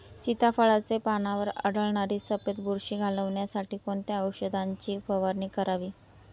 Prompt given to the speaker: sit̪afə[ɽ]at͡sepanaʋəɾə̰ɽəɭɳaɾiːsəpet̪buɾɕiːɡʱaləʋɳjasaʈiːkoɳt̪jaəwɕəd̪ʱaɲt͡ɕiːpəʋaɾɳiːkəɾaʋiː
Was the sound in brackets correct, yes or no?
no